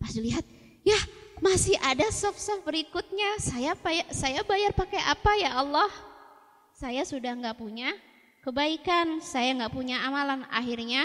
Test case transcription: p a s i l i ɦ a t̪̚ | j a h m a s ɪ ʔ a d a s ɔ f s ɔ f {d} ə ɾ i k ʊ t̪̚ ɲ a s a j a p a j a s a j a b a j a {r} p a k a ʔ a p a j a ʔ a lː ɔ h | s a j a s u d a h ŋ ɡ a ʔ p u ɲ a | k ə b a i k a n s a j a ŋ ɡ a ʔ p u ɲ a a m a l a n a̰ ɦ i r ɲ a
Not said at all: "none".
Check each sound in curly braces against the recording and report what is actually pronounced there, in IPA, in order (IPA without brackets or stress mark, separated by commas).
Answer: b, r